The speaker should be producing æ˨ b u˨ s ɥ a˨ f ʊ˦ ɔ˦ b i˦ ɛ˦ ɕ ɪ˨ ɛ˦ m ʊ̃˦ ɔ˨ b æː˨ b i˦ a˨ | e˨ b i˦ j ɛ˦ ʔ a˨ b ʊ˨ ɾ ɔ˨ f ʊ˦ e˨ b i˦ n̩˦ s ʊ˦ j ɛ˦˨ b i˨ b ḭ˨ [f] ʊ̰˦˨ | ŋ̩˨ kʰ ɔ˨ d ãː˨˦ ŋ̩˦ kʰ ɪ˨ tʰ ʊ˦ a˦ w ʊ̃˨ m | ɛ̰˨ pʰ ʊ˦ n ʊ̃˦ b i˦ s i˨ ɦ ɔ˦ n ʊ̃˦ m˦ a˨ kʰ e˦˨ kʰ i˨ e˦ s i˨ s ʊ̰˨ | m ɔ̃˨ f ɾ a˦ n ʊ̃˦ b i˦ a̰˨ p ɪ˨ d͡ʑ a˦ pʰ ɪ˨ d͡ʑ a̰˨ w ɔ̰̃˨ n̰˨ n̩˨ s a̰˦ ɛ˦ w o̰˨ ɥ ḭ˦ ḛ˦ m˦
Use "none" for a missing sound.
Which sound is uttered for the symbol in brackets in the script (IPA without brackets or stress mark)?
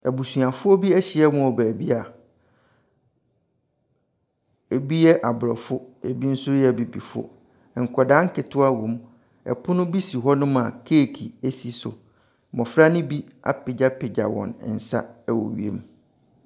f